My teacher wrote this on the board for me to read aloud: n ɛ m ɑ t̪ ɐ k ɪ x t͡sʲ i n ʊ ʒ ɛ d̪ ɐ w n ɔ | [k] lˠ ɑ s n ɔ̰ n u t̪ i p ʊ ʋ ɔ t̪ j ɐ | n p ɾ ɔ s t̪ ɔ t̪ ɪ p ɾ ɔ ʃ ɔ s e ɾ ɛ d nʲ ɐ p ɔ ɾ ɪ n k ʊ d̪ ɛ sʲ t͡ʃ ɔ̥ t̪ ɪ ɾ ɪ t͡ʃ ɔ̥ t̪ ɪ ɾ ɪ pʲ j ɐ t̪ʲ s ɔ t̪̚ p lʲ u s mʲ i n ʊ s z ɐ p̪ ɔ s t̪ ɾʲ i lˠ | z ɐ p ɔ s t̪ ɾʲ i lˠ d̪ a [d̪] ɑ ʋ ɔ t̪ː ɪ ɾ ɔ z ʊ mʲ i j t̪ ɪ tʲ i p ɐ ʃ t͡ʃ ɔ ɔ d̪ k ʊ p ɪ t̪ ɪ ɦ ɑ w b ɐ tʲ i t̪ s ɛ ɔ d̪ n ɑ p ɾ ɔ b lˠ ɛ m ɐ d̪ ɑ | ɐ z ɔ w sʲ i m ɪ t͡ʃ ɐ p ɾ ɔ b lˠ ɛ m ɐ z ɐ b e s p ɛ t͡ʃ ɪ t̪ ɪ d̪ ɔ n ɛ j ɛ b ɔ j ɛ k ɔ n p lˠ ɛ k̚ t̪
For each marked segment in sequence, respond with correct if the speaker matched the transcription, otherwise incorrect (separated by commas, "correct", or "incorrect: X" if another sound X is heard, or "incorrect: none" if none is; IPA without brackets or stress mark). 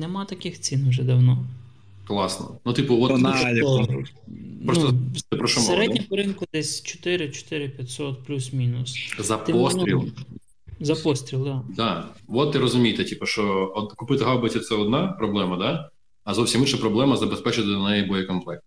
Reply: correct, correct